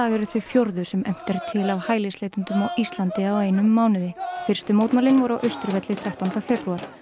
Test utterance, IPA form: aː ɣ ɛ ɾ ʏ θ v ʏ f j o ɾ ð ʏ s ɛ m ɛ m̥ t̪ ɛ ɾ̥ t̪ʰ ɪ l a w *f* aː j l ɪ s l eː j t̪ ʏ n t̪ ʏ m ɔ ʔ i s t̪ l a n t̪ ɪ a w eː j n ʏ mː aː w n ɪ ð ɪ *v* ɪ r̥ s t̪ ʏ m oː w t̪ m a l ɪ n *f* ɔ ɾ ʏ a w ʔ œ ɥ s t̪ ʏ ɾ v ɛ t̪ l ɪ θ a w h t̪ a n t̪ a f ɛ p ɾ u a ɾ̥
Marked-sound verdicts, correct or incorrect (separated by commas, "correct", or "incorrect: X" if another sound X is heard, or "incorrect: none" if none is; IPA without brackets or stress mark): incorrect: h, incorrect: f, incorrect: v